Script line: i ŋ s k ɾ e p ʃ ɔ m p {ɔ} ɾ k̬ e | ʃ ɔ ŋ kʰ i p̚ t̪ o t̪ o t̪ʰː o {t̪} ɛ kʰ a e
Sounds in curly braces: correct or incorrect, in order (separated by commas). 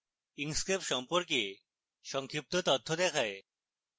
incorrect, incorrect